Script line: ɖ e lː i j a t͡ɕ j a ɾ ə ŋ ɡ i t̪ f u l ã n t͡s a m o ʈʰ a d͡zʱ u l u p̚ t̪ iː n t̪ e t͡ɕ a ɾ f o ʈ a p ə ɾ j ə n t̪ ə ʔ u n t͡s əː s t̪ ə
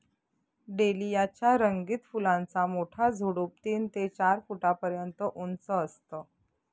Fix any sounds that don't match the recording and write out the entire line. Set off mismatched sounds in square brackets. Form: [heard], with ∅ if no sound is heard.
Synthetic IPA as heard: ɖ e [l] i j a t͡ɕ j a ɾ ə ŋ ɡ i t̪ f u l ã n t͡s a m o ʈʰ a d͡zʱ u [ɽ] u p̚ t̪ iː n t̪ e t͡ɕ a ɾ f [u] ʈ a p ə ɾ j ə n t̪ ə ʔ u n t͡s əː s t̪ ə